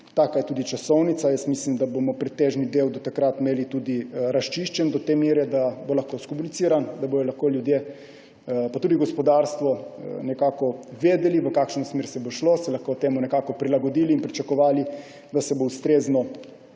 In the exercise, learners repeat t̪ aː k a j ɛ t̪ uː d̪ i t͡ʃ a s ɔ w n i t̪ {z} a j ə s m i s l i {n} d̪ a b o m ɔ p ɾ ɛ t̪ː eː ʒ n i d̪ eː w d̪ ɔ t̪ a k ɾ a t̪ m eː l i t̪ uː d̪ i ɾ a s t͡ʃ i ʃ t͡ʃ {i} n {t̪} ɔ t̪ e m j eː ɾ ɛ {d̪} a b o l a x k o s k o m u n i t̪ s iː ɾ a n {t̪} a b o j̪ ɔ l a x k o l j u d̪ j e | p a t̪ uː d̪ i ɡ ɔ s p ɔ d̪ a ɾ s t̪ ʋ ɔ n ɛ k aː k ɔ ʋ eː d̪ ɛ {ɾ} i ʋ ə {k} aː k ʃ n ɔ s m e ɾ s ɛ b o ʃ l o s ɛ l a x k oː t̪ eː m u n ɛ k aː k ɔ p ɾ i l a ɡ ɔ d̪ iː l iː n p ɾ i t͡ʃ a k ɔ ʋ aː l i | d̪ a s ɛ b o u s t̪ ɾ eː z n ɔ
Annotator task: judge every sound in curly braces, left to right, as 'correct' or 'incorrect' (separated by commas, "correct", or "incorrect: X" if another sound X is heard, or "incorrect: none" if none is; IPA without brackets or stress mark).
incorrect: s, incorrect: m, incorrect: ɛ, incorrect: d̪, correct, incorrect: d̪, incorrect: l, correct